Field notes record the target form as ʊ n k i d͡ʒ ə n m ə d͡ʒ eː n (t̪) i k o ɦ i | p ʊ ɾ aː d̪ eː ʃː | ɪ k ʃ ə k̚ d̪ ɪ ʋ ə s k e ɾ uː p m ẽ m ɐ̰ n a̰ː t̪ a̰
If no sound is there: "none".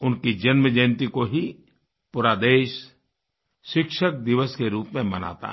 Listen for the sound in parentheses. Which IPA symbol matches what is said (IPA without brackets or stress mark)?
t̪